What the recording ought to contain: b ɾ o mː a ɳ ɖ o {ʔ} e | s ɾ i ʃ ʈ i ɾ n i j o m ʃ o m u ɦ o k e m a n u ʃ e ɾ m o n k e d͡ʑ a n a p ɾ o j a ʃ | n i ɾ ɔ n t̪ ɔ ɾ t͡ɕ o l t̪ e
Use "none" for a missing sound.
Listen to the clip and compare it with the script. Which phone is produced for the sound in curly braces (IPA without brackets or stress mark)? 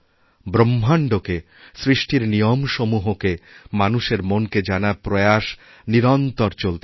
k